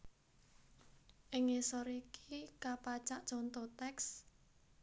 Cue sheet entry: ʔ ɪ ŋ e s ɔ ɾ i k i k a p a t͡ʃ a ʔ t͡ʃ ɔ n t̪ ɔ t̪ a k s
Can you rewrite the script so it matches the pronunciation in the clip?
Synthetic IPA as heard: ʔ ɪ ŋ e s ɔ ɾ i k i k a p a t͡ʃ a ʔ t͡ʃ ɔ n t̪ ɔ t̪ ɛ k s